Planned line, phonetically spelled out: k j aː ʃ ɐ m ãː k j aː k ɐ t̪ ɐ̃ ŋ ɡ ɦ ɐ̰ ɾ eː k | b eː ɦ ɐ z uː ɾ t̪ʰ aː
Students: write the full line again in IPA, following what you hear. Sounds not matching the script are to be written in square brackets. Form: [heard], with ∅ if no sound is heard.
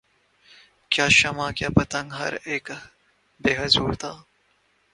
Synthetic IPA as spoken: k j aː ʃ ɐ m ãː k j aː [p] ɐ t̪ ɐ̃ ŋ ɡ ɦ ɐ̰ ɾ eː k | b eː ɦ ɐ z uː ɾ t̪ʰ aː